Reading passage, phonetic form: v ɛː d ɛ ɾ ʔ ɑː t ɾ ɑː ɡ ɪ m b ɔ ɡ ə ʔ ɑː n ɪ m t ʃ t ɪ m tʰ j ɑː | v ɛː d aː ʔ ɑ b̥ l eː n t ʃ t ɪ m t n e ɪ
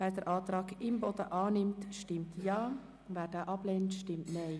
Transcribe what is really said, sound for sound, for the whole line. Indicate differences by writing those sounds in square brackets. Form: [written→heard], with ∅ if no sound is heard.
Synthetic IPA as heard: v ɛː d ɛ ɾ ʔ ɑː t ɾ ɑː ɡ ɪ m b ɔ [ɡ→d] ə ʔ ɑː n ɪ m t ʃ t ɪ m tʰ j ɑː | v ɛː d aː ʔ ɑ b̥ l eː n t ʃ t ɪ m t n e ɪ

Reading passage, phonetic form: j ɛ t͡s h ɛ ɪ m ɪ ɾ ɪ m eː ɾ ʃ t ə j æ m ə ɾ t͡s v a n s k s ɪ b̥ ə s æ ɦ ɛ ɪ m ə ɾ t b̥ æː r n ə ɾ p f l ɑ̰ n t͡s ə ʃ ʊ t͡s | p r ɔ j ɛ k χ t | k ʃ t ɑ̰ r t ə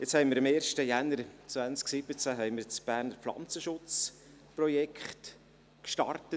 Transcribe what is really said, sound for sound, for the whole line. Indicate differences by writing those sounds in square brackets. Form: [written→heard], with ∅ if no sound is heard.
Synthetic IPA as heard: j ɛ t͡s h ɛ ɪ m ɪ ɾ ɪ m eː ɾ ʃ t ə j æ [m→n] ə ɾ t͡s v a n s k s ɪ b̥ ə [s→t͡s] æ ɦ ɛ ɪ m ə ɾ [t→t͡s] b̥ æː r n ə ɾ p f l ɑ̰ n t͡s ə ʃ ʊ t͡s | p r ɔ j ɛ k χ t | k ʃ t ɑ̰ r t ə

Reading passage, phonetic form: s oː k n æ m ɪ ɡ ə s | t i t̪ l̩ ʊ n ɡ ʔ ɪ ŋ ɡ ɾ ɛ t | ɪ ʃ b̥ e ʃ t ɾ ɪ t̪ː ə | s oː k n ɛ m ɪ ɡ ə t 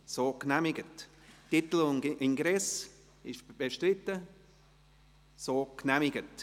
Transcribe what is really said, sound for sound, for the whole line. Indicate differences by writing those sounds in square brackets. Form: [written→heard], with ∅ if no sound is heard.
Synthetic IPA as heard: s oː k n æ m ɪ ɡ ə [s→t] | t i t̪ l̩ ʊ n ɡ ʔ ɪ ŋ ɡ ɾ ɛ [t→s] | ɪ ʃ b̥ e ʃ t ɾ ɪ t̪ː ə | s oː k n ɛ m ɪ ɡ ə t

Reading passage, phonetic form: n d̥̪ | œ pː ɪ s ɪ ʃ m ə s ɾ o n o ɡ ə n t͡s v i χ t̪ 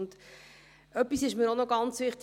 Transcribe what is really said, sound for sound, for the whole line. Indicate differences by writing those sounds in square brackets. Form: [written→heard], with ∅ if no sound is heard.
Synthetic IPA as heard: n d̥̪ | œ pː [ɪ→i] s ɪ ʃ m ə [s→∅] ɾ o n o ɡ [ə→ɑ] n t͡s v [i→ɪ] χ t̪

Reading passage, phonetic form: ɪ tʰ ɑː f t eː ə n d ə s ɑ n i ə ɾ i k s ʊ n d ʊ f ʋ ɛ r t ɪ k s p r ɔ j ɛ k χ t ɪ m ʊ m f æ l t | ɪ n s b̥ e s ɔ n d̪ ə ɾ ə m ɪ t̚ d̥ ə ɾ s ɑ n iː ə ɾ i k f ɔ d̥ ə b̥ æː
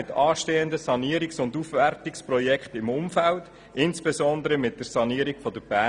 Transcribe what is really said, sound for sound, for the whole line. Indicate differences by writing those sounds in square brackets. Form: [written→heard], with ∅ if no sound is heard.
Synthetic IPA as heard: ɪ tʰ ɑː [f→ʃ] t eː ə n d ə s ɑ n i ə ɾ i k s ʊ n d [ʊ→u] f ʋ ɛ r t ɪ k s p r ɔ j ɛ k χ t ɪ m ʊ m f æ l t | ɪ n s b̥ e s ɔ n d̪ ə ɾ ə m ɪ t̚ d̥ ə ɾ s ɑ n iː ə ɾ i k f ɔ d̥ ə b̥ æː

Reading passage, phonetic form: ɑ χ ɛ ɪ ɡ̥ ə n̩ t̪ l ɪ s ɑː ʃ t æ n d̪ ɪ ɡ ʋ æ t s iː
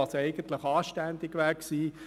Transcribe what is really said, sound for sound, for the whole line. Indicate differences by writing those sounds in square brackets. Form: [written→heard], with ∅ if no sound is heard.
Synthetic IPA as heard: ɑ [χ→s] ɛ ɪ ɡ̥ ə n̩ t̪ l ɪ [s→χ] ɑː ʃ t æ n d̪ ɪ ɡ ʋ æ [t→k] s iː

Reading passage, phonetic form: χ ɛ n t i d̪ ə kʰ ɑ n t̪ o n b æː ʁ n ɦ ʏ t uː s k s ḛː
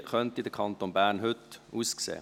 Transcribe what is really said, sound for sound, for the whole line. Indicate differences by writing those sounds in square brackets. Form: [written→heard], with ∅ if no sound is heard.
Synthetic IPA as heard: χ [ɛ→œ] n t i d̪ ə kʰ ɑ n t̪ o n b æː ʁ n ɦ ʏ t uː s k s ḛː

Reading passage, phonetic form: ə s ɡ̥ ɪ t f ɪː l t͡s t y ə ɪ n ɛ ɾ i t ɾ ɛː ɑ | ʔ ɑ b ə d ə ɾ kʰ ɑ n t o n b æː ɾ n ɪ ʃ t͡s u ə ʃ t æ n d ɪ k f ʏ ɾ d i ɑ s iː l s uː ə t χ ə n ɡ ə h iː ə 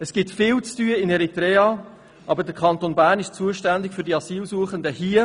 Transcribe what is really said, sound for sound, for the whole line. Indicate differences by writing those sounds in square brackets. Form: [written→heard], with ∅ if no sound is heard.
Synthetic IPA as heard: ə s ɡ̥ ɪ t f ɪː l t͡s t y ə ɪ n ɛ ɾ i t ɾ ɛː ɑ | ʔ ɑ b ə d ə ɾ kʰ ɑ n t o n b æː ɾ n ɪ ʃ t͡s u ə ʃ t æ n d ɪ k f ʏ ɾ d i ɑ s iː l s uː ə [t→∅] χ ə n [ɡ→d] ə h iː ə

